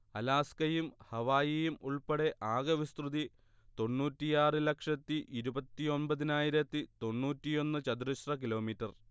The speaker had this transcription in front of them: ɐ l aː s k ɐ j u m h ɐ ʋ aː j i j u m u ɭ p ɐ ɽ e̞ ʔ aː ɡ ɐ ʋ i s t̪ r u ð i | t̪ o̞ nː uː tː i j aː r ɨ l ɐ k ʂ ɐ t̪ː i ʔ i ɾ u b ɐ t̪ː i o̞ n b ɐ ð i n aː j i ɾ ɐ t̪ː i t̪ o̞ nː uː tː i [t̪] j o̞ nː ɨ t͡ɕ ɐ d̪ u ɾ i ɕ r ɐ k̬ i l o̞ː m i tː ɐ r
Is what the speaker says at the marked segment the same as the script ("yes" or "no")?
no